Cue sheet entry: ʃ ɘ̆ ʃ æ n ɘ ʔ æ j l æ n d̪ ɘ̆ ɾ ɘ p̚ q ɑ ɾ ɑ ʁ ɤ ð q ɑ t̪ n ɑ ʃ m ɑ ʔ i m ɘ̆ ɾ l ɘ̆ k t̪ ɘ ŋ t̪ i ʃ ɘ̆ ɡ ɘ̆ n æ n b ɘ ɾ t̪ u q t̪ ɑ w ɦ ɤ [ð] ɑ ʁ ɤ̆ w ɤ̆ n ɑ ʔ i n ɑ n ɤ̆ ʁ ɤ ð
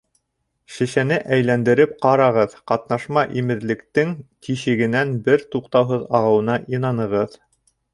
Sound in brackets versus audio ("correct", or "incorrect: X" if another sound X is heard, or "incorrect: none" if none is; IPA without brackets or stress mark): correct